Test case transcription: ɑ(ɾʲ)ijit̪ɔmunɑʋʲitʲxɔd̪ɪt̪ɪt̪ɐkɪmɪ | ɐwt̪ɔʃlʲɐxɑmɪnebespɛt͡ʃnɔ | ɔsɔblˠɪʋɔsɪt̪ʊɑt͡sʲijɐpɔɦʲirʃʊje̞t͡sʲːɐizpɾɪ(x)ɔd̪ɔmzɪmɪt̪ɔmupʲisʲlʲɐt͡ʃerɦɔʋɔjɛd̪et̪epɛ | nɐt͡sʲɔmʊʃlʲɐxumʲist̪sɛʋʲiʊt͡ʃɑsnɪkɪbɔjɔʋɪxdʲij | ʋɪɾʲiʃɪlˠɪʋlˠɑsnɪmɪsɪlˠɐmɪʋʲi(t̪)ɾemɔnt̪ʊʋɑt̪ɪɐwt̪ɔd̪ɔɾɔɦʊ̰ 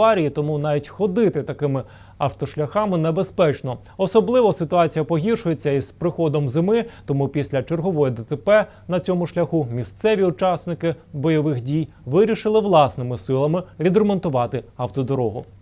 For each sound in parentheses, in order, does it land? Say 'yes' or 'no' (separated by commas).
yes, yes, no